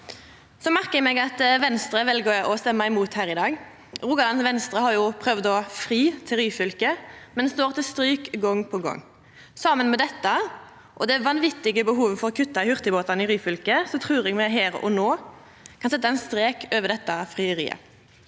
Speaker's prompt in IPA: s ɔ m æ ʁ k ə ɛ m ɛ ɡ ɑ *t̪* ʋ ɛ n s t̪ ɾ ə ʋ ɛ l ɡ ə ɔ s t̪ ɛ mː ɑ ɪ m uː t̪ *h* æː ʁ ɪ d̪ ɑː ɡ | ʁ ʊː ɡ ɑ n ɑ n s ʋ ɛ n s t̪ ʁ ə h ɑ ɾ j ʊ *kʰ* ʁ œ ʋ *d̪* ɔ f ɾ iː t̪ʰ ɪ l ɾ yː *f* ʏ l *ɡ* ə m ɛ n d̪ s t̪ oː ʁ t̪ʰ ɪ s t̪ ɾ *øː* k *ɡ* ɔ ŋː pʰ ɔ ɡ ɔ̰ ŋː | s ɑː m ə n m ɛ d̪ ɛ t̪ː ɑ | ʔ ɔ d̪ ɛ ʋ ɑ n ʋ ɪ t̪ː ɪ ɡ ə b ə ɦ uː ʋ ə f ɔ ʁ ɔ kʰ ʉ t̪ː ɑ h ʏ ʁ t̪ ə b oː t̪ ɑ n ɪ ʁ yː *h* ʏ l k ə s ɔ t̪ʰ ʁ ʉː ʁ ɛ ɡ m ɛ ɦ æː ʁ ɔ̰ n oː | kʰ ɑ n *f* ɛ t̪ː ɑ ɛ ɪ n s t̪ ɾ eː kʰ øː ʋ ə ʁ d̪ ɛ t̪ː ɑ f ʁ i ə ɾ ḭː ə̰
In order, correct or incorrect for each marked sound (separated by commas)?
correct, correct, incorrect, correct, correct, incorrect, incorrect, correct, incorrect, incorrect